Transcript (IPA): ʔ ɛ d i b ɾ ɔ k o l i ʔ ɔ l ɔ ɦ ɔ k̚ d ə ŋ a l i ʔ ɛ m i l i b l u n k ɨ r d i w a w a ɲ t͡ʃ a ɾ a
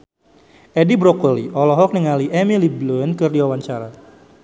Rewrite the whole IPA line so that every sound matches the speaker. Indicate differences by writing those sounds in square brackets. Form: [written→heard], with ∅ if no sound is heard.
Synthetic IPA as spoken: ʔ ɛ d i b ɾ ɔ k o l i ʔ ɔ l ɔ ɦ ɔ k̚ [d→n] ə ŋ a l i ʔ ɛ m i l i b l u n k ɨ r d i w a w a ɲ t͡ʃ a ɾ a

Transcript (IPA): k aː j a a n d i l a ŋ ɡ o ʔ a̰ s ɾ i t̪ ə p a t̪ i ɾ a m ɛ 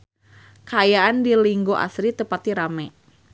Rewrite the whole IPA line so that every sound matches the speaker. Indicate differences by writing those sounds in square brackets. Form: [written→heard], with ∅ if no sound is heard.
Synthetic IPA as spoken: k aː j a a n d i l [a→i] ŋ ɡ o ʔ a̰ s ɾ i t̪ ə p a t̪ i ɾ a m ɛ

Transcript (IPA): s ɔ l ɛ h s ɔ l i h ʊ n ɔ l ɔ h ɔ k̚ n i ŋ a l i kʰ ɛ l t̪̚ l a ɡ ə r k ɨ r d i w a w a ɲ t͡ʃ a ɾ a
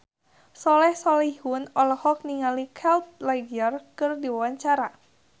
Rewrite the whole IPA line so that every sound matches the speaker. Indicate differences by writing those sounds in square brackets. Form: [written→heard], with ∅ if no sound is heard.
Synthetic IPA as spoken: s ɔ l ɛ h s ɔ l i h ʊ n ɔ l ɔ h ɔ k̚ n i ŋ a l i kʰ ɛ l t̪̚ l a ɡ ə r k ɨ r d i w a w a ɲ t͡ʃ a ɾ a

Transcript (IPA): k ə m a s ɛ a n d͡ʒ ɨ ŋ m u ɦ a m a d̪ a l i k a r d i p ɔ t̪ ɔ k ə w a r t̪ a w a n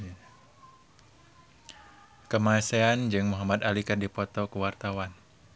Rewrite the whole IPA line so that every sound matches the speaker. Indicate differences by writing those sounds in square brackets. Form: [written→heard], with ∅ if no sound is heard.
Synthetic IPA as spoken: k ə m a s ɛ a n d͡ʒ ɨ ŋ m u ɦ a m a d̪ a l i k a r d i p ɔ t̪ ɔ k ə w a r t̪ a w a n

